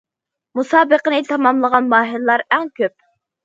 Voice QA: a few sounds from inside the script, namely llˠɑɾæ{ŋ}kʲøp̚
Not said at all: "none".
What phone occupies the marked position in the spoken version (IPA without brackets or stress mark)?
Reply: ŋ